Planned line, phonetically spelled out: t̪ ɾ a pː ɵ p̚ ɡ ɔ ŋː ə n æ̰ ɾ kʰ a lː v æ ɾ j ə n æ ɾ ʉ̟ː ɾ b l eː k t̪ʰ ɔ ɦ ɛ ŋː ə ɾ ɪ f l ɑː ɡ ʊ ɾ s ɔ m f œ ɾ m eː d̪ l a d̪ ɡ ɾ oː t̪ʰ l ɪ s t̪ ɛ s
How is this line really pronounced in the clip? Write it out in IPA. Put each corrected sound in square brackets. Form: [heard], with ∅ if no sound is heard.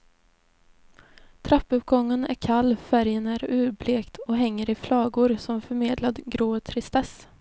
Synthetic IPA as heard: [t̪ʰ] ɾ a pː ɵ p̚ ɡ ɔ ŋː ə n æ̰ ɾ kʰ a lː [f] æ ɾ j ə n æ ɾ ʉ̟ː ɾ b l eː k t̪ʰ ɔ ɦ ɛ ŋː ə ɾ ɪ f l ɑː ɡ ʊ ɾ s ɔ m f œ ɾ m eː d̪ l a d̪ ɡ ɾ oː t̪ʰ [ɾ] ɪ s t̪ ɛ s